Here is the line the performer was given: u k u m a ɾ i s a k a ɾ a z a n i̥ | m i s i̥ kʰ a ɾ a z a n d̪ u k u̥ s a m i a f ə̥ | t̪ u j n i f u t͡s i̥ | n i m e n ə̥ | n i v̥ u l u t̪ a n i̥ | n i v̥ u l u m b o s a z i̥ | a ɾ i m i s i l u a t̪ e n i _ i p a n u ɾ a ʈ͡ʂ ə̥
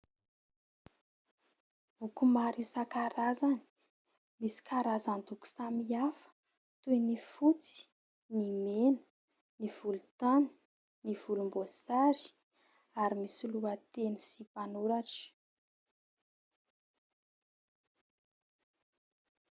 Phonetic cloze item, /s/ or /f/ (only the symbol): s